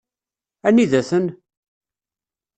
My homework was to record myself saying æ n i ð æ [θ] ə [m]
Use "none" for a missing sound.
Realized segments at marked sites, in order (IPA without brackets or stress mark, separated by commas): θ, n